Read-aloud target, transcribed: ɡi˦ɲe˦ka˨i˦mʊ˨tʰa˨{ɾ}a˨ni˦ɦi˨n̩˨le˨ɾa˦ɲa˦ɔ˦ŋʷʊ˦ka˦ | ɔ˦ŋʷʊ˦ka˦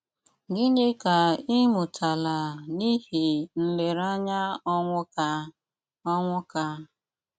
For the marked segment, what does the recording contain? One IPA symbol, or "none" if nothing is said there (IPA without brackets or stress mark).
l